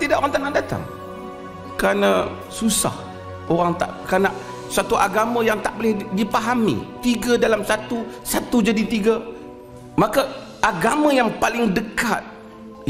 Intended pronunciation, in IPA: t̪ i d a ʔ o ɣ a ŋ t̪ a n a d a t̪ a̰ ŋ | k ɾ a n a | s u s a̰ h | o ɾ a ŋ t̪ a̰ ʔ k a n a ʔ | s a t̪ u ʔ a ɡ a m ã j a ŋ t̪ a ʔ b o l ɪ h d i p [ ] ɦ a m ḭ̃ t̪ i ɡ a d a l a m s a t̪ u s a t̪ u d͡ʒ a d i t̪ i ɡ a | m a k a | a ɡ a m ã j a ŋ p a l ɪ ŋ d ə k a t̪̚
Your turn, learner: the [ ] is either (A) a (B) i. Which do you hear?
A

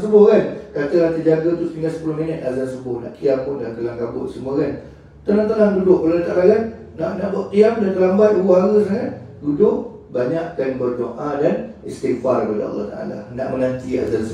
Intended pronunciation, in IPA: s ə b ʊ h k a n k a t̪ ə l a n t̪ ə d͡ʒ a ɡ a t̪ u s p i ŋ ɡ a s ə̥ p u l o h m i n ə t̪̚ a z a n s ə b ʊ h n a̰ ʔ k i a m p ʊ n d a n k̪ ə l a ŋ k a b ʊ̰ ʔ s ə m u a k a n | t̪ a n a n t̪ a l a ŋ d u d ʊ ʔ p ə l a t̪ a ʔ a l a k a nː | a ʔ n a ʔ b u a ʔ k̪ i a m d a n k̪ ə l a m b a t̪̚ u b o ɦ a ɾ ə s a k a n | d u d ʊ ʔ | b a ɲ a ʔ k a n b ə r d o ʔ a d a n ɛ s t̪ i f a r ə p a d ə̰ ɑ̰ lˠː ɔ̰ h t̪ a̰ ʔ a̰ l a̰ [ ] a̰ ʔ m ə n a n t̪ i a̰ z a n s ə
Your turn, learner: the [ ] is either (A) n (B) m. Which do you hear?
A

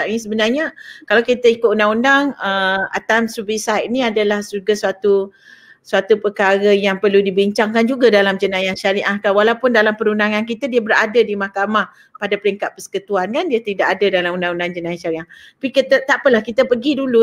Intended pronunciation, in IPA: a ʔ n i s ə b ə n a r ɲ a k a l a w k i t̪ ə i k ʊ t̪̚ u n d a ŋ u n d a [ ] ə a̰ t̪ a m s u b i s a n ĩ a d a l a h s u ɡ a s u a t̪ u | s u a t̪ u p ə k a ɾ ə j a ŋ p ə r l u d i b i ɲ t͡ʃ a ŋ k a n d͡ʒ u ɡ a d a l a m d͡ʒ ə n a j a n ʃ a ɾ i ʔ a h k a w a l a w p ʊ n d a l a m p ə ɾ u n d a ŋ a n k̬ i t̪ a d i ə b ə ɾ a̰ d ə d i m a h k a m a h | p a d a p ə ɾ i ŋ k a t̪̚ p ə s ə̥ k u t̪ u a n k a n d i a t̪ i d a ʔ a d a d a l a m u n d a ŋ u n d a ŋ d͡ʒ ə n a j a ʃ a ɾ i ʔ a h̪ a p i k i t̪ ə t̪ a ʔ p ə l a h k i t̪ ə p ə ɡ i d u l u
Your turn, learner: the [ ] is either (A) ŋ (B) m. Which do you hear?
A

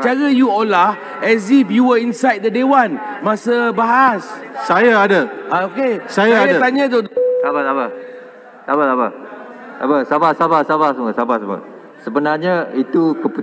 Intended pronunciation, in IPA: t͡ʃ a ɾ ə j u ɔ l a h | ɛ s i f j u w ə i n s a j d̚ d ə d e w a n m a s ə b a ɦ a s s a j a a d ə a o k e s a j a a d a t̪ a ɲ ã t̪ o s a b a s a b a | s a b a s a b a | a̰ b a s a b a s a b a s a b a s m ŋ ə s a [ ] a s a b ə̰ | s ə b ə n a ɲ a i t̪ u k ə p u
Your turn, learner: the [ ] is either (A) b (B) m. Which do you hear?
A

